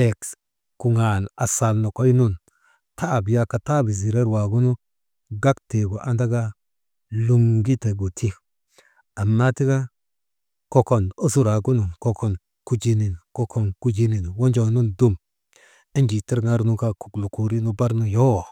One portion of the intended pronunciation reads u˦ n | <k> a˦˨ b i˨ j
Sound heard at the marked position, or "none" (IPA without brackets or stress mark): t